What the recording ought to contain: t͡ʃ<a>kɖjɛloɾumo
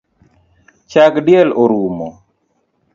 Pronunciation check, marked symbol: correct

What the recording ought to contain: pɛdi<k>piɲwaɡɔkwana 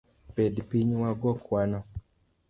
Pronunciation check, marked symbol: incorrect: none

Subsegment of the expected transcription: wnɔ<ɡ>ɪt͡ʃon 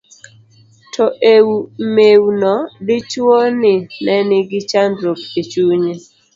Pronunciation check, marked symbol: incorrect: d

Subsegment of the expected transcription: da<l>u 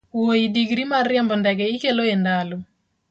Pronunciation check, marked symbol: correct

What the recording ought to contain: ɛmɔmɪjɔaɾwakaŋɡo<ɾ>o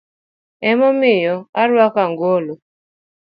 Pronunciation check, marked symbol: incorrect: l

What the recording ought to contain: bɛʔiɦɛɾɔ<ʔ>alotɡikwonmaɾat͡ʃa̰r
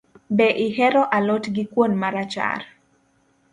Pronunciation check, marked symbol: correct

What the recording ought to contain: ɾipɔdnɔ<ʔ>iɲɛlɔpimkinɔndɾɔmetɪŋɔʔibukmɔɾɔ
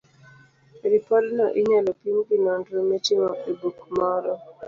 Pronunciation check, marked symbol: correct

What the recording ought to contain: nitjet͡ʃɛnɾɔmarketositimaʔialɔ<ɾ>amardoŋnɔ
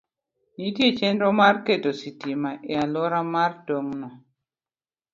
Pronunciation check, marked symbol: correct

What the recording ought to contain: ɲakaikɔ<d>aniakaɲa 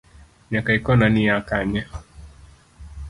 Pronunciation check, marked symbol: incorrect: n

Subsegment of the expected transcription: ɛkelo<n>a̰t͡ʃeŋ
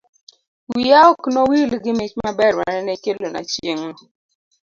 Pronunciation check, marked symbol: correct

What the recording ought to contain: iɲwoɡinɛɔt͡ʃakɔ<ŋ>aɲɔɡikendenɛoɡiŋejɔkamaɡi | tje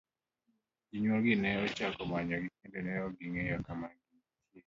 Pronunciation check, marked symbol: incorrect: m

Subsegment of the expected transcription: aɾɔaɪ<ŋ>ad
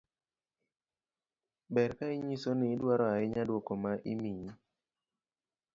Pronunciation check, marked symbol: incorrect: ɲ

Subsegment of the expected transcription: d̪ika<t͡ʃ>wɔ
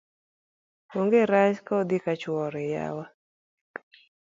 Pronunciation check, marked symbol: correct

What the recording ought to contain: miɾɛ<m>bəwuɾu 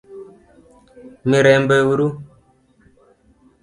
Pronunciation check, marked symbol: correct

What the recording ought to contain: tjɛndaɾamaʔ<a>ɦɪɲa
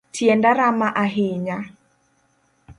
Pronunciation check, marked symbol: correct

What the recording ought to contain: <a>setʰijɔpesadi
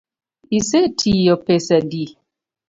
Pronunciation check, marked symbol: incorrect: i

